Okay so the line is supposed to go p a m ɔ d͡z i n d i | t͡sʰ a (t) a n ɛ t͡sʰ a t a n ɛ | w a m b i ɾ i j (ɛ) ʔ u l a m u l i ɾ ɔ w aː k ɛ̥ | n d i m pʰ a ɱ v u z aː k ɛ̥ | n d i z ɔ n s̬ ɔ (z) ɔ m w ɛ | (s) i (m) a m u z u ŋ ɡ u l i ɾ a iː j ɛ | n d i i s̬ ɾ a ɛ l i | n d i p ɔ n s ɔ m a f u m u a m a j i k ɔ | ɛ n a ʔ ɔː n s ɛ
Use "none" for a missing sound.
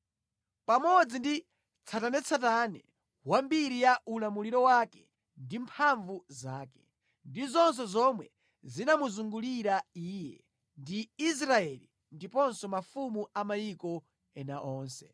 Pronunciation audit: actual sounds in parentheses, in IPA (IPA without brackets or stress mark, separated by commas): t, a, z, z, n